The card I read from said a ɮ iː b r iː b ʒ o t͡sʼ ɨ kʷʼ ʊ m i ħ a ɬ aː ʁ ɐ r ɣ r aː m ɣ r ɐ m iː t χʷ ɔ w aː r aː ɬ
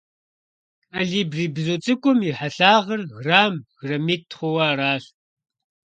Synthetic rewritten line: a ɮ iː b r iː b z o t͡sʼ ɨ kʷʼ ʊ m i ħ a ɬ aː ʁ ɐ r ɣ r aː m ɣ r ɐ m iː t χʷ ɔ w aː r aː ɬ